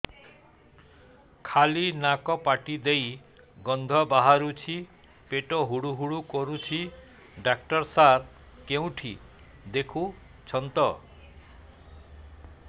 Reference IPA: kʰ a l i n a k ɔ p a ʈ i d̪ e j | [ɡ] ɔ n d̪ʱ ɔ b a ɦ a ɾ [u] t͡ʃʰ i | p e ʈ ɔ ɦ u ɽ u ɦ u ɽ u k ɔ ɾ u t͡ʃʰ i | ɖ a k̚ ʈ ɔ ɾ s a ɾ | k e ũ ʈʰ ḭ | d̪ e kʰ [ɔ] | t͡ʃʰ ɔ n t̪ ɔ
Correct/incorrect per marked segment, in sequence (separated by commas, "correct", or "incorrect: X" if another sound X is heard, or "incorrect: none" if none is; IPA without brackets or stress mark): correct, correct, incorrect: u